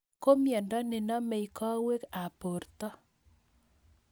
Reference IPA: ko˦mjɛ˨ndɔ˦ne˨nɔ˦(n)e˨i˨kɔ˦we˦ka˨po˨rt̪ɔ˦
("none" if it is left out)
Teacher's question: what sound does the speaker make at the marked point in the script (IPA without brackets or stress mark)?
m